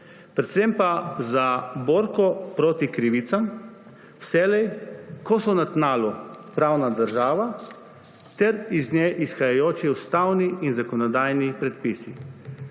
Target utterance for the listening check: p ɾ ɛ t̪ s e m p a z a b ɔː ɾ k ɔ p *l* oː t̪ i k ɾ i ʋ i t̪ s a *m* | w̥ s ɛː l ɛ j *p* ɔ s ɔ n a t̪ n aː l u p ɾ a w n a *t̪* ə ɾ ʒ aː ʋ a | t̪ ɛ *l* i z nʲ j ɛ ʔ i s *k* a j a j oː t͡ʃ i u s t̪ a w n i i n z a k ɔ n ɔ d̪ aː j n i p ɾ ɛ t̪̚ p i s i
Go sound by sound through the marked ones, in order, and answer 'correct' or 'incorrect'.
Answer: incorrect: ɾ, correct, incorrect: k, incorrect: d̪, incorrect: ɾ, incorrect: x

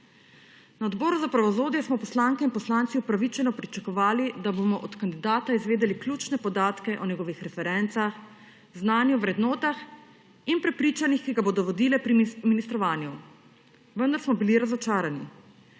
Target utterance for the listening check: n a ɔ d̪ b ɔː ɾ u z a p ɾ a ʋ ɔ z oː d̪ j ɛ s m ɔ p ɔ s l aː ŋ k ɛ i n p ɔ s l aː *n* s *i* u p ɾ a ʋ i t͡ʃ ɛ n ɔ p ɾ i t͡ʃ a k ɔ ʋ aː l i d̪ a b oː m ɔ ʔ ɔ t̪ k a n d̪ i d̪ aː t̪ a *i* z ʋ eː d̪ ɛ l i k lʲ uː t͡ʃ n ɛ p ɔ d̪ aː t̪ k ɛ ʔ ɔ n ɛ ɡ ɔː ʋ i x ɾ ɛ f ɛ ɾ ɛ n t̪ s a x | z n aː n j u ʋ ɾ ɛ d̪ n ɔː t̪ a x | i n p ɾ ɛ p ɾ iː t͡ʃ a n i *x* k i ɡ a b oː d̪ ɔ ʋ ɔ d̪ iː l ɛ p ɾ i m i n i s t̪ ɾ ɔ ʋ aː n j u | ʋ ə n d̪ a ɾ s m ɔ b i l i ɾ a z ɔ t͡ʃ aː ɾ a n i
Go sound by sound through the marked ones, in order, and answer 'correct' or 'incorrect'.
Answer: correct, correct, correct, correct

